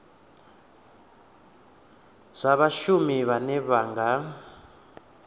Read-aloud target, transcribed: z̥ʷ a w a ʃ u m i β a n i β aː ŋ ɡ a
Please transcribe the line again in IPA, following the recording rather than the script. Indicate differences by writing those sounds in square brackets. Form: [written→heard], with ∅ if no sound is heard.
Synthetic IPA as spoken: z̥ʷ a [w→β] a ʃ u m i β a n [i→ɛ] β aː ŋ ɡ a